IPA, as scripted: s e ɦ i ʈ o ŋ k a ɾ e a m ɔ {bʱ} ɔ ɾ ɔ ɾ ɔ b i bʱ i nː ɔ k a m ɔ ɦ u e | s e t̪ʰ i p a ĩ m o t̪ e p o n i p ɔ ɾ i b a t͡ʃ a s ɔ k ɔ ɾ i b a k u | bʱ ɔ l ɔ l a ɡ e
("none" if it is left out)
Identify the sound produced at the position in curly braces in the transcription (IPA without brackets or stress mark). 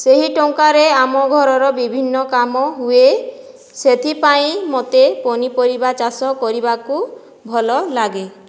ɡʱ